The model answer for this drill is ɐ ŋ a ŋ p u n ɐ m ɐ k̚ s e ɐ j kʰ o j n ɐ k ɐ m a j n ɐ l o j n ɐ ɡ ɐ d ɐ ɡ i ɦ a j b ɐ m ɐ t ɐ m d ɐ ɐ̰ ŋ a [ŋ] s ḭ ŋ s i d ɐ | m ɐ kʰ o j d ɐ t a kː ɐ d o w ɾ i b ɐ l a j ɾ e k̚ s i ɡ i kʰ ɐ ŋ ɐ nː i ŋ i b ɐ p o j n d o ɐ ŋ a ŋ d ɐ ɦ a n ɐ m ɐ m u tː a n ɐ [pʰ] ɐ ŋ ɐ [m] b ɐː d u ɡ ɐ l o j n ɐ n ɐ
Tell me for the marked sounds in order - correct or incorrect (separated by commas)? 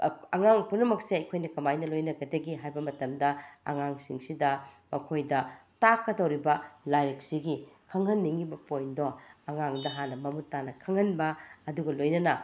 correct, incorrect, incorrect